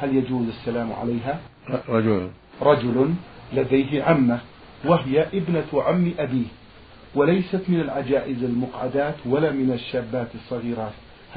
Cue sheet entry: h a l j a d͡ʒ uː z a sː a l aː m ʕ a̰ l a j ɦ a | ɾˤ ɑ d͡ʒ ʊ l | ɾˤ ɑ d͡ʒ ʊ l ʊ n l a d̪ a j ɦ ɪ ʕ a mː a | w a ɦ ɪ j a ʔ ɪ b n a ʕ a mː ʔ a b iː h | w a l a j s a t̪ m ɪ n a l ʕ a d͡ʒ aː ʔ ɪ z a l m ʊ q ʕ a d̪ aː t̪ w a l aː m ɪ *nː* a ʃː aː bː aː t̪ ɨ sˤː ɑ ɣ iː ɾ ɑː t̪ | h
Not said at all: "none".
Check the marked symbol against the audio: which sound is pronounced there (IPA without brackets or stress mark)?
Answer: n